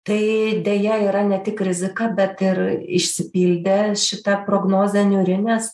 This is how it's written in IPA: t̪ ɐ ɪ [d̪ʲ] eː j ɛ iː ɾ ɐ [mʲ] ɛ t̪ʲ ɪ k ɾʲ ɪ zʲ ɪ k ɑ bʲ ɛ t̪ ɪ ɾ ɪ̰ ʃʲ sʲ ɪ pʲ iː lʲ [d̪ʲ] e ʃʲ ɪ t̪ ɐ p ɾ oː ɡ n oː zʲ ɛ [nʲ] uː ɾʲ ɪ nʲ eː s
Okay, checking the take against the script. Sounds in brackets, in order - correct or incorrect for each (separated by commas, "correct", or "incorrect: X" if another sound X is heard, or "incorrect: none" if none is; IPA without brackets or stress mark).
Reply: correct, incorrect: nʲ, correct, correct